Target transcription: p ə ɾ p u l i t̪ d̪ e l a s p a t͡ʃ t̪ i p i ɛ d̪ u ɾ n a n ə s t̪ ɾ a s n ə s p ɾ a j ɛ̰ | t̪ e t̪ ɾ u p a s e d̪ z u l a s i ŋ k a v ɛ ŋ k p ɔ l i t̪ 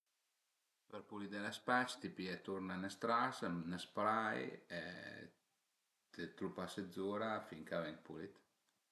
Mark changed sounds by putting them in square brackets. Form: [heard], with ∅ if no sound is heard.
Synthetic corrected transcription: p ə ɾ p u l i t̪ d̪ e l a s p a t͡ʃ t̪ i p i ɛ [t̪] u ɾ n a n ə s t̪ ɾ a s n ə s p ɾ a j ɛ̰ | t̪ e t̪ ɾ u p a s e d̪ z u [ɾ] a [f] i ŋ k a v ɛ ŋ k p [u] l i t̪